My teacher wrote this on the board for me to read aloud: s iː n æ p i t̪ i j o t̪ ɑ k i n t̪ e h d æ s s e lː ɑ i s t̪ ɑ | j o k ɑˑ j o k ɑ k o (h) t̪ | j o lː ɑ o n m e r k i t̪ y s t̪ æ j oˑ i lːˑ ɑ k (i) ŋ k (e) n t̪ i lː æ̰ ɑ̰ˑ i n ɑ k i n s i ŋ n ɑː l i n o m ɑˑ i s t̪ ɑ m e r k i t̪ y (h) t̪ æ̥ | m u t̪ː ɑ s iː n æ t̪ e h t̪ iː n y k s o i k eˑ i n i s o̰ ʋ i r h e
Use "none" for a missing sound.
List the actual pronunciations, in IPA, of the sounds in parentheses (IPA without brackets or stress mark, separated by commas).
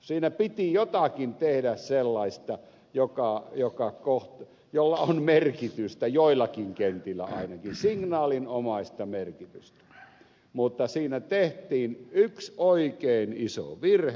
h, i, e, s